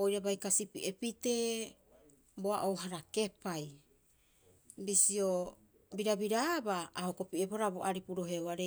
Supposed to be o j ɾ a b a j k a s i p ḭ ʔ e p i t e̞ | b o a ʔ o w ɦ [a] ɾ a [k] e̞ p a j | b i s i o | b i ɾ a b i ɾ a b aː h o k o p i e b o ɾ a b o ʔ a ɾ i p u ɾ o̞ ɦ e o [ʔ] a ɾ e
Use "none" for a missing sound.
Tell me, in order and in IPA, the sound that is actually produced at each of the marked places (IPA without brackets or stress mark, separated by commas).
a, k, none